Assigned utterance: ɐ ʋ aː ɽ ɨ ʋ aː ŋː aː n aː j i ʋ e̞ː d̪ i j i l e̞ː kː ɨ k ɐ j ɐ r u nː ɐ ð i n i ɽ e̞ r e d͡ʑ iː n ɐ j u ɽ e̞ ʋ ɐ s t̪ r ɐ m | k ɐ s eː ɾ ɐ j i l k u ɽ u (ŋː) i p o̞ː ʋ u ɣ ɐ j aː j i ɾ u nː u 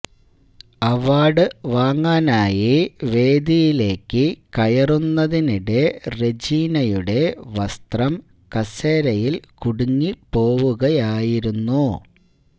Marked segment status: correct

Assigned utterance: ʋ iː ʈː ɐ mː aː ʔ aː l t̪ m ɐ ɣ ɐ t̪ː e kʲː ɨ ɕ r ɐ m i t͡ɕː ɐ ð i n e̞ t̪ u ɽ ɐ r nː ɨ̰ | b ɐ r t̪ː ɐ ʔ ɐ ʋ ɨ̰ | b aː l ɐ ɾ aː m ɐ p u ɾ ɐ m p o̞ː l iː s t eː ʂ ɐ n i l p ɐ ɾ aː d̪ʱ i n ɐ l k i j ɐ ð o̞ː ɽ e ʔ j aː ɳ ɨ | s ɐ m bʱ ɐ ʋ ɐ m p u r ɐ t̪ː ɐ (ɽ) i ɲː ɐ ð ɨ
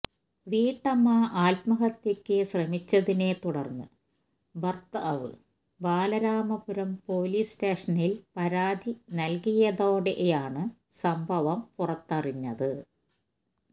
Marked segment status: incorrect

